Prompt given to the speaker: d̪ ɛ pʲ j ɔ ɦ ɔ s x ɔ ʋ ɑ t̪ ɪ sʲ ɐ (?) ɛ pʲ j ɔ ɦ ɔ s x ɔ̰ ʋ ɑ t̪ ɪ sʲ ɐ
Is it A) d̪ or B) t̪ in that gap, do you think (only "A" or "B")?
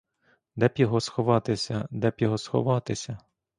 A